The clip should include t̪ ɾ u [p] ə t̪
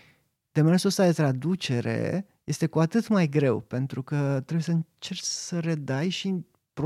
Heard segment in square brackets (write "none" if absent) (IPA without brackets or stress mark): k